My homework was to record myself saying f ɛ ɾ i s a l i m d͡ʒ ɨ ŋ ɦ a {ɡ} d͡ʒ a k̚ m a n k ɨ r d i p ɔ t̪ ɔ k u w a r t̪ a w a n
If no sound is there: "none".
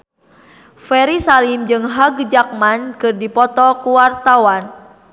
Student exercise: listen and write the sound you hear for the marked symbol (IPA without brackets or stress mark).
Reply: ɡ